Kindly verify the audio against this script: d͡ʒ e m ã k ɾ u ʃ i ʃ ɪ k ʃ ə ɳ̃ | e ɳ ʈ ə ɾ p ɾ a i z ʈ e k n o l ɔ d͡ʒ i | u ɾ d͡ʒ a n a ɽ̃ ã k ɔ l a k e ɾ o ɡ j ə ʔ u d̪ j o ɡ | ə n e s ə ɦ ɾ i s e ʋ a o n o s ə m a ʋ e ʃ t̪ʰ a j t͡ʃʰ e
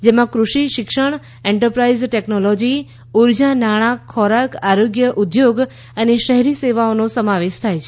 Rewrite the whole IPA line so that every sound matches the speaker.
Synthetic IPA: d͡ʒ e m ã k ɾ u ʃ i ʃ ɪ k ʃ ə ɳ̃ | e ɳ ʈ ə ɾ p ɾ a i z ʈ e k n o l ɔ d͡ʒ i | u ɾ d͡ʒ a n a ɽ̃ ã kʰ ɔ ɾ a k a ɾ o ɡ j ə ʔ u d̪ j o ɡ | ə n e ʃ ə ɦ ɾ i s e ʋ a o n o s ə m a ʋ e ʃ t̪ʰ a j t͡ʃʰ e

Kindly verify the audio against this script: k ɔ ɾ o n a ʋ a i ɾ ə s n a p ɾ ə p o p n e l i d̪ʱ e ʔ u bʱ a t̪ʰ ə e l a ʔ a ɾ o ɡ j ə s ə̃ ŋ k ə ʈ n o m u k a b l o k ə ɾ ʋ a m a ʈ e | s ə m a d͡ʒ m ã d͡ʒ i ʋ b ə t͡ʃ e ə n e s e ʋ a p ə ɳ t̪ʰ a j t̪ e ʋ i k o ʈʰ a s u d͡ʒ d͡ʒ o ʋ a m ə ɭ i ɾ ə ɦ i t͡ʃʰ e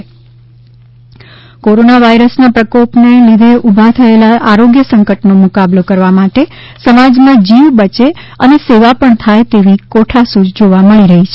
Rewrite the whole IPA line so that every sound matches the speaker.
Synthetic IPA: k o ɾ o n a ʋ a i ɾ ə s n a p ɾ ə k o p n e l i d̪ʱ e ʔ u bʱ a t̪ʰ ə e l a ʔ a ɾ o ɡ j ə s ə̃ ŋ k ə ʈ n o m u k a b l o k ə ɾ ʋ a m a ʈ e | s ə m a d͡ʒ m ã d͡ʒ i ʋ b ə t͡ʃ e ə n e s e ʋ a p ə ɳ t̪ʰ a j t̪ e ʋ i k o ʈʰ a s u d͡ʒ d͡ʒ o ʋ a m ə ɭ i ɾ ə ɦ i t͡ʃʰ e

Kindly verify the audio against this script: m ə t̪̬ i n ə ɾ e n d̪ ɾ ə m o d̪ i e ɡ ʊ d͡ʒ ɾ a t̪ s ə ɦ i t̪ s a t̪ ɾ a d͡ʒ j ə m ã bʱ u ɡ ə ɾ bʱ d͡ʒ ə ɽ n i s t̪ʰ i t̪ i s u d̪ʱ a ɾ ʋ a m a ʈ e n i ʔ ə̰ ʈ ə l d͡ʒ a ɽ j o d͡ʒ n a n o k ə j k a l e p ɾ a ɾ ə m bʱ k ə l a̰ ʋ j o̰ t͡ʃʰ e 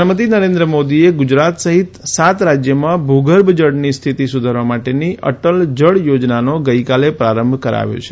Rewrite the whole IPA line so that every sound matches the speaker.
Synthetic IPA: m ə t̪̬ i n ə ɾ e n d̪ ɾ ə m o d̪ i e ɡ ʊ d͡ʒ ɾ a t̪ s ə ɦ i t̪ s a t̪ ɾ a d͡ʒ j ə m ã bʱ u ɡ ə ɾ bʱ d͡ʒ ə ɽ n i s t̪ʰ i t̪ i s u d̪ʱ a ɾ ʋ a m a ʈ e n i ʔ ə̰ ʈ ə l d͡ʒ ə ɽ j o d͡ʒ n a n o ɡ ə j k a l e p ɾ a ɾ ə m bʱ k ə ɾ a̰ ʋ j o̰ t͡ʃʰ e

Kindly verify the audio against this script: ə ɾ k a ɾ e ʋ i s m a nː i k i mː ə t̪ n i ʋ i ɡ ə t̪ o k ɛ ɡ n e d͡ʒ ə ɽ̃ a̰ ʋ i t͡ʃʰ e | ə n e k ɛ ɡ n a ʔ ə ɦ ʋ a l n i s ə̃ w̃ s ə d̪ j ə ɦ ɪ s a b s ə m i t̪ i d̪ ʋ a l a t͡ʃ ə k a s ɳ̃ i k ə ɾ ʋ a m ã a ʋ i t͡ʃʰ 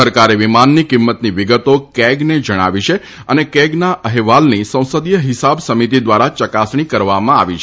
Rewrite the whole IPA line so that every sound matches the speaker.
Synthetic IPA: ə ɾ k a ɾ e ʋ i m a nː i k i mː ə t̪ n i ʋ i ɡ ə t̪ o k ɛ ɡ n e d͡ʒ ə ɽ̃ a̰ ʋ i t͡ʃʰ e | ə n e k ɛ ɡ n a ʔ ə ɦ ʋ a l n i s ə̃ w̃ s ə d̪ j ə ɦ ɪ s a b s ə m i t̪ i d̪ ʋ a ɾ a t͡ʃ ə k a s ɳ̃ i k ə ɾ ʋ a m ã a ʋ i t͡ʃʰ

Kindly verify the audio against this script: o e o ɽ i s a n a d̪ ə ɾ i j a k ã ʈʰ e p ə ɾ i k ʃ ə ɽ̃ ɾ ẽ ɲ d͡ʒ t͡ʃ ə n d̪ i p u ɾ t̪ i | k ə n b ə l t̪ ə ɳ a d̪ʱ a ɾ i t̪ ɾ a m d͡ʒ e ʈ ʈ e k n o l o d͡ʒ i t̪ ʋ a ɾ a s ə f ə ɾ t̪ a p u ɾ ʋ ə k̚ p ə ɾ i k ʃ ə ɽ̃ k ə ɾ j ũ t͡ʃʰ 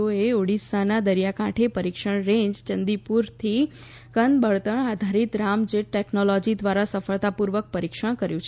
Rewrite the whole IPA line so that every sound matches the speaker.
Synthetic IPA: o e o ɽ i s a n a d̪ ə ɾ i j a k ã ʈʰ e p ə ɾ i k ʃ ə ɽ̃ ɾ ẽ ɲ d͡ʒ t͡ʃ ə n d̪ i p u ɾ t̪ʰ i | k ə n b ə ɭ t̪ ə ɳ a d̪ʱ a ɾ i t̪ ɾ a m d͡ʒ e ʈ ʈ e k n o l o d͡ʒ i d̪ ʋ a ɾ a s ə f ə ɭ t̪ a p u ɾ ʋ ə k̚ p ə ɾ i k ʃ ə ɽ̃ k ə ɾ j ũ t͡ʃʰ

